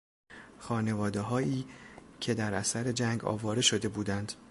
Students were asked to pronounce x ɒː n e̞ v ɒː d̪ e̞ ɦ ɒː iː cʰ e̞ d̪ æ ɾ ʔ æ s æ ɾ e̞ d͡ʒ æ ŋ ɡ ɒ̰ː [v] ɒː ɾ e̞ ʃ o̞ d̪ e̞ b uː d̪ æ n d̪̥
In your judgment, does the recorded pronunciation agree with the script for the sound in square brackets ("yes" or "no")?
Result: yes